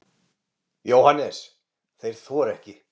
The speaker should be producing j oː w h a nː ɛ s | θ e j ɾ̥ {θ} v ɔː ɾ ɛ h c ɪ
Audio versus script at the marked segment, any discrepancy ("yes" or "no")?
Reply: no